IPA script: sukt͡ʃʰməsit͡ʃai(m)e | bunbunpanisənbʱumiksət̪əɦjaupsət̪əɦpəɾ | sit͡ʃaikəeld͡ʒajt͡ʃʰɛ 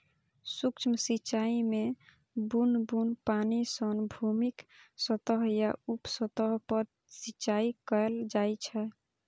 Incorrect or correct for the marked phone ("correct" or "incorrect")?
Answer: correct